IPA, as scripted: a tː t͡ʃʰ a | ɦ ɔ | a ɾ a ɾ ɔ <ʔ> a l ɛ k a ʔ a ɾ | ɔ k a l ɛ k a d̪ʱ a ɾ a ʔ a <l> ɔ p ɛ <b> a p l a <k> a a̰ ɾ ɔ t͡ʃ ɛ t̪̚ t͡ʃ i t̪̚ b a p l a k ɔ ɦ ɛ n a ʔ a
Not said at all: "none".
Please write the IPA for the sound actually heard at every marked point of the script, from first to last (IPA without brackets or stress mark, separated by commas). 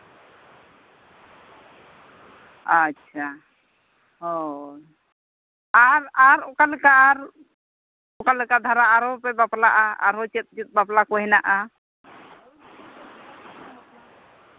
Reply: k, ɾ, b, ʔ